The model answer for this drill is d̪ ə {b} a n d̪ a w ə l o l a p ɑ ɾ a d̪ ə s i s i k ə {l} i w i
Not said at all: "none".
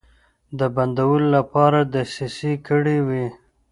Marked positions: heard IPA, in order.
b, ɽ

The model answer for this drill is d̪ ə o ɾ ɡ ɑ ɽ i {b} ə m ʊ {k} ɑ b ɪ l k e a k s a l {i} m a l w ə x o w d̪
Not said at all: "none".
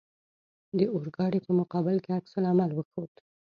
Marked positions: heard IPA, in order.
p, q, a

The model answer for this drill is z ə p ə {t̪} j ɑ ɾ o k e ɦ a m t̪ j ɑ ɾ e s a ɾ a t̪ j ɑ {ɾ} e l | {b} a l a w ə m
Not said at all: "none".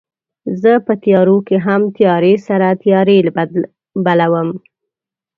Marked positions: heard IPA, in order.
t̪, ɾ, b

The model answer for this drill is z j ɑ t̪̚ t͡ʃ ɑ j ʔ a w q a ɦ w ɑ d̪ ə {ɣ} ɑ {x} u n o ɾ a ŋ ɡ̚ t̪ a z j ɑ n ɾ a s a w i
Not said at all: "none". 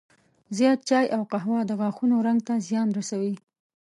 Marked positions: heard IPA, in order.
ɣ, x

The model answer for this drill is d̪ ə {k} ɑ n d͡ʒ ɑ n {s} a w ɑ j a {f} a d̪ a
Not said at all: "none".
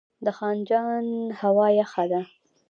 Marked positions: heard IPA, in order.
x, h, x

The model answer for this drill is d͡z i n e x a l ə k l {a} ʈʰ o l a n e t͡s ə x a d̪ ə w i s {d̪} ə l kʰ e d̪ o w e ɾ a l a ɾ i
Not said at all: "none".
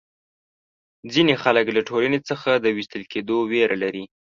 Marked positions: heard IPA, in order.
a, t̪

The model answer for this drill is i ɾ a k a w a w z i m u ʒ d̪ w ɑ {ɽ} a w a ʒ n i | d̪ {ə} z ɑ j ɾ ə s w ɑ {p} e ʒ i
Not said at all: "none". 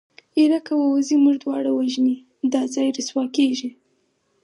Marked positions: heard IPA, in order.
ɽ, ɑ, k

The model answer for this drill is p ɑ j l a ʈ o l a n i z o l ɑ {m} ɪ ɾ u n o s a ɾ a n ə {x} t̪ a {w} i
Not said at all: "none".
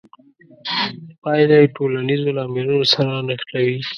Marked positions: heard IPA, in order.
m, x, w

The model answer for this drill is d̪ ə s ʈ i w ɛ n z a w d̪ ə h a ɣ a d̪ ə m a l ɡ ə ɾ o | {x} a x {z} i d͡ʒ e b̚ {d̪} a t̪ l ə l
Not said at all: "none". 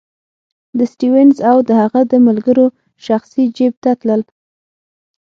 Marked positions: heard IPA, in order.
ʃ, s, t̪

